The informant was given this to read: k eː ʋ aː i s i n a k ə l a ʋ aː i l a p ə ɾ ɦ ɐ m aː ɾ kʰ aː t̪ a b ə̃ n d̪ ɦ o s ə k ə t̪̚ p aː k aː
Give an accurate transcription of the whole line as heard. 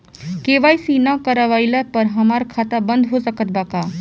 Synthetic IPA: k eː ʋ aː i s i n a k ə ɾ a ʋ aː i l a p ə ɾ ɦ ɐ m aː ɾ kʰ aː t̪ a b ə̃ n d̪ ɦ o s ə k ə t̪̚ b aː k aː